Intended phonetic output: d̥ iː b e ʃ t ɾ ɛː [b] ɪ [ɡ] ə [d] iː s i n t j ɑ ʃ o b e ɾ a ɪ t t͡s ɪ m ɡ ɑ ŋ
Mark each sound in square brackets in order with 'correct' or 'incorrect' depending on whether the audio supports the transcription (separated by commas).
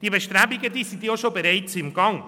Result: correct, correct, correct